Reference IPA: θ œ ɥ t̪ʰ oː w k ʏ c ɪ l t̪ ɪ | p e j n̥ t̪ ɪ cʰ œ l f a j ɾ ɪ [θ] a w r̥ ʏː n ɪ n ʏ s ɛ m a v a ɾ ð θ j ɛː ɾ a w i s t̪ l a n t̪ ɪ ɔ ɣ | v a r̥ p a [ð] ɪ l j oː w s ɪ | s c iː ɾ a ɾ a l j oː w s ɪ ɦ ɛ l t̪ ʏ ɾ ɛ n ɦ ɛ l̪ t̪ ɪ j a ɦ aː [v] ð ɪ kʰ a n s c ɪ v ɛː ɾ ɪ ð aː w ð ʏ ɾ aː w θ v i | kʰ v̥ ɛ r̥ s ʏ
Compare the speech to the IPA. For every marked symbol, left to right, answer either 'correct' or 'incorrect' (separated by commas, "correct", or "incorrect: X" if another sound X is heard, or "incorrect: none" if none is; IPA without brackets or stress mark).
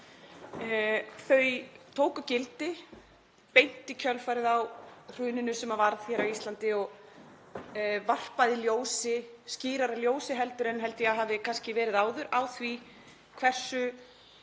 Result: incorrect: ð, correct, correct